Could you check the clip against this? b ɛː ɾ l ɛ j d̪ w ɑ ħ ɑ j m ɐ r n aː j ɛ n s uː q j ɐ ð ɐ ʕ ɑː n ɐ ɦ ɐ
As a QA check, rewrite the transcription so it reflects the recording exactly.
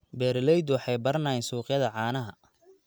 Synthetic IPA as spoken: b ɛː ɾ l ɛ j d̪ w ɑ ħ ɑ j b ɐ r n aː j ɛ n s uː q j ɐ ð ɐ ʕ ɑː n ɐ ɦ ɐ